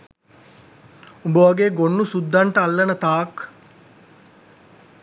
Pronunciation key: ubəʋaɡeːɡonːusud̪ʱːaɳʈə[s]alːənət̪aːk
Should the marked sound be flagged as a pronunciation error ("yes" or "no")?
yes